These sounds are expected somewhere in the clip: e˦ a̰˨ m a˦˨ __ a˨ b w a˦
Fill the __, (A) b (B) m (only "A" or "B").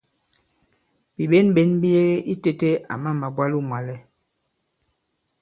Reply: B